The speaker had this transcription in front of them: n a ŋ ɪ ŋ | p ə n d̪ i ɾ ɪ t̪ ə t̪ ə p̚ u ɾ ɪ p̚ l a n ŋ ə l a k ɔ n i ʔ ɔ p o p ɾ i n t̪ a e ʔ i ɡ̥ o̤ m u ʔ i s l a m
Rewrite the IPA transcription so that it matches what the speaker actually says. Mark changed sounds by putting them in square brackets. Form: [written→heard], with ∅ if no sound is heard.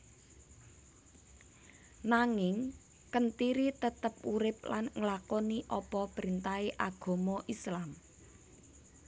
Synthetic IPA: n a ŋ ɪ ŋ | [p→k] ə n [d̪→t̪] i ɾ [ɪ→i] t̪ ə t̪ ə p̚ u ɾ ɪ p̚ l a n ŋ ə l a k ɔ n i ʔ ɔ p [o→ɔ] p ɾ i n t̪ a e ʔ [i→a] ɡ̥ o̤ m [u→ɔ] ʔ i s l a m